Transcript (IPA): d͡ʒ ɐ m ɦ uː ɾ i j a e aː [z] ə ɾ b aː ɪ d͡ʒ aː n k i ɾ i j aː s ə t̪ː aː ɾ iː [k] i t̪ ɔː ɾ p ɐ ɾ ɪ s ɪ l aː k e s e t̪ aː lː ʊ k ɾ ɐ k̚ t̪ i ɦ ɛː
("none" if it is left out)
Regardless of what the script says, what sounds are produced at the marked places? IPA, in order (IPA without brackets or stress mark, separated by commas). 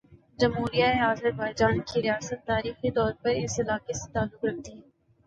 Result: z, x